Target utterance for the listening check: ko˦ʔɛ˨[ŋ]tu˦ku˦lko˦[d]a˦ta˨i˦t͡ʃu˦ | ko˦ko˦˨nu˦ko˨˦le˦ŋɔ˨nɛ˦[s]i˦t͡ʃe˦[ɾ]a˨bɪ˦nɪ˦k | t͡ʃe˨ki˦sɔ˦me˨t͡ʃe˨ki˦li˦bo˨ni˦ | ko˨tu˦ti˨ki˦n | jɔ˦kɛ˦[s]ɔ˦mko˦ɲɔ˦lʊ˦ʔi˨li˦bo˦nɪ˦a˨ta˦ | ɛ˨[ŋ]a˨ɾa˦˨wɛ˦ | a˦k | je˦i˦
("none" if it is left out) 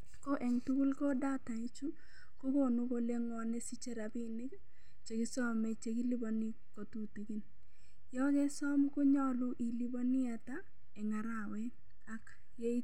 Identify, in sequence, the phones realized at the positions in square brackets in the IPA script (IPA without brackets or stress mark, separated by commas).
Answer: ŋ, d, s, ɾ, s, ŋ